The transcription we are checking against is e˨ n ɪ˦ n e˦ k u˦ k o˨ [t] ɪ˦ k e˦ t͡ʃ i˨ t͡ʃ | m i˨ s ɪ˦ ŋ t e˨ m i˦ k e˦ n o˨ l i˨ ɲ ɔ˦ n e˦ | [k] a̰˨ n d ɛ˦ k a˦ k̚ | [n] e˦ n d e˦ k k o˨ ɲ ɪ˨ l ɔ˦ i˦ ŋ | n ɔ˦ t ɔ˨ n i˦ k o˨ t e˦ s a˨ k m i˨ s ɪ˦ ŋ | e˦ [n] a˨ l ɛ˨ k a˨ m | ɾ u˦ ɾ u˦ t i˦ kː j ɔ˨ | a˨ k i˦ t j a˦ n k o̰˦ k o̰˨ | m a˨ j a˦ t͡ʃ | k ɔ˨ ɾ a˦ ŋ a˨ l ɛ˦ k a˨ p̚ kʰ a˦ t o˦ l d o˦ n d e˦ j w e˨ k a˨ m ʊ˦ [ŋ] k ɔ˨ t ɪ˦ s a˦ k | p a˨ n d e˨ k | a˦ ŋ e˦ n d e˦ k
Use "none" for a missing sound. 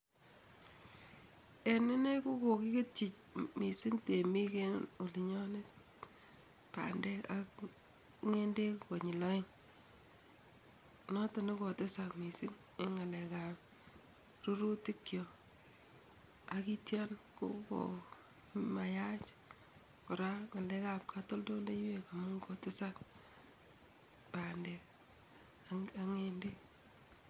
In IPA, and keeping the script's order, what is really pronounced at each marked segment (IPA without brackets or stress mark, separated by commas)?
k, p, ŋ, ŋ, ŋ